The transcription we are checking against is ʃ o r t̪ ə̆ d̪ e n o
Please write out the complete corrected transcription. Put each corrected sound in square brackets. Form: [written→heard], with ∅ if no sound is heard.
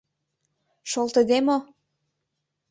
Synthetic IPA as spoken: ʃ o [r→l] t̪ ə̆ d̪ e [n→m] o

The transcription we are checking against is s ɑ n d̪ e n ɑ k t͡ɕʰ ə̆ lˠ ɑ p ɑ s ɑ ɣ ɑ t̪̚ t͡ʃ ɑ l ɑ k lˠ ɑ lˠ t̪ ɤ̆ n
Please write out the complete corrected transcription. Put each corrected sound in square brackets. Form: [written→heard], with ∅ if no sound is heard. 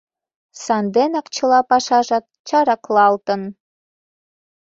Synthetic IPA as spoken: s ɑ n d̪ e n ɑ k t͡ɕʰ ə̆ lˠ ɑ p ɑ [s→ʃ] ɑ [ɣ→ʒ] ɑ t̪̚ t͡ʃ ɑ [l→ɾ] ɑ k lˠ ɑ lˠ t̪ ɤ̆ n

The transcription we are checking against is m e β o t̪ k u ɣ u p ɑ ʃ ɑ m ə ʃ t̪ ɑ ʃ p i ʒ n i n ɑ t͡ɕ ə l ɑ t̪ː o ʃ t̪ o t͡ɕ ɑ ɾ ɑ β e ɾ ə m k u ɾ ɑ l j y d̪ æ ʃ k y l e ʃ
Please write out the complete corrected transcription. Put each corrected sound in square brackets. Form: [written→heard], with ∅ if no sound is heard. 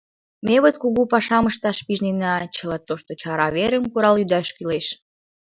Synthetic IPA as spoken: m e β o t̪ k u ɣ u p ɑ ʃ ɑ m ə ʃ t̪ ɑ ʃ p i ʒ n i n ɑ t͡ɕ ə l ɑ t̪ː o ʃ t̪ o t͡ɕ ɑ ɾ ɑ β e ɾ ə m k u ɾ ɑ l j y d̪ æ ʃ k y l e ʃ

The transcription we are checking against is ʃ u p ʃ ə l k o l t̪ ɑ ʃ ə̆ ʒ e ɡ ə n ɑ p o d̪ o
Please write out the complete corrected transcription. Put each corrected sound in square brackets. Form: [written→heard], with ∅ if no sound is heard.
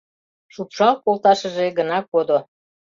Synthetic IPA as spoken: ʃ u p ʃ [ə→ɑ] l k o l t̪ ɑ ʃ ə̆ ʒ e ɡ ə n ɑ [p→k] o d̪ o

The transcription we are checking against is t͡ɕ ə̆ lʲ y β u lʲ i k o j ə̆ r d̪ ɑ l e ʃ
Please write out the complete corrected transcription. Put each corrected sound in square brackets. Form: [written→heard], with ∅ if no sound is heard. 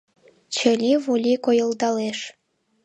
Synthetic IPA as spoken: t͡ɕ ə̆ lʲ [y→i] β u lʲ i k o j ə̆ [r→l] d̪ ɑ l e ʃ

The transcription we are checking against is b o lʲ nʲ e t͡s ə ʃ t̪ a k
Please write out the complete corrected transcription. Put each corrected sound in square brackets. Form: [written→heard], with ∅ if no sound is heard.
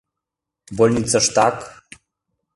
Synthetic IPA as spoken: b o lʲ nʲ [e→i] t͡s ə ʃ t̪ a k

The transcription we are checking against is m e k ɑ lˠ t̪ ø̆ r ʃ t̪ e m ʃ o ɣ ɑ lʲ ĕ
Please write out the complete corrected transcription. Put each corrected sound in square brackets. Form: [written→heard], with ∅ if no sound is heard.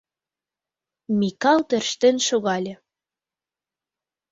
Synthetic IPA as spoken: m [e→i] k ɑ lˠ t̪ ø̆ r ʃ t̪ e [m→n] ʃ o ɣ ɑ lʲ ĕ

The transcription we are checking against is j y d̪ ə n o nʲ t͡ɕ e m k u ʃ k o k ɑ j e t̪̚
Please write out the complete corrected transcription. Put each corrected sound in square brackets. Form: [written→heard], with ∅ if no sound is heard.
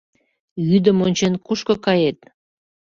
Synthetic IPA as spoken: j y d̪ ə [n→m] o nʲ t͡ɕ e [m→n] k u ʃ k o k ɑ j e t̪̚

